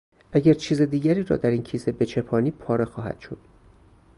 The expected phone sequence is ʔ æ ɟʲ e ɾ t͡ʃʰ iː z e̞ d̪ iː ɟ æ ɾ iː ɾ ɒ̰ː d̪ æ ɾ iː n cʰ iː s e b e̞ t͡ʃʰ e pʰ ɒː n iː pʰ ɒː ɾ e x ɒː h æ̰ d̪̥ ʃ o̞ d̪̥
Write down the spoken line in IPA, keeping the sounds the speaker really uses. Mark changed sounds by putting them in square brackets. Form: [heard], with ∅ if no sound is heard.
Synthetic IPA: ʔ æ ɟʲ [æ] ɾ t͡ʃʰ iː z e̞ d̪ iː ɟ æ ɾ iː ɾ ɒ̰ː d̪ æ ɾ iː n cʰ iː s e b e̞ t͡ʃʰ e pʰ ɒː n iː pʰ ɒː ɾ e x ɒː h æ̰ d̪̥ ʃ o̞ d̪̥